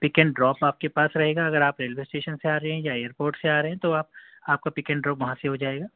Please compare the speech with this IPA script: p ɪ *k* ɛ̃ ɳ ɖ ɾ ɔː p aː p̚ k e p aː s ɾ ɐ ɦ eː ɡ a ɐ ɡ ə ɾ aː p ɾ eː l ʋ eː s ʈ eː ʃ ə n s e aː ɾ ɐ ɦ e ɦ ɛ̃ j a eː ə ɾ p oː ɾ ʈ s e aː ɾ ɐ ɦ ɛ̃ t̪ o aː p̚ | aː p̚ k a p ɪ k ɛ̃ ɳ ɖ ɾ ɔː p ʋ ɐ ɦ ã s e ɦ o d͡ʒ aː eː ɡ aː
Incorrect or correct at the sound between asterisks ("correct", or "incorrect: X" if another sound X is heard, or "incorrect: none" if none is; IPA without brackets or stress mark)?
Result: correct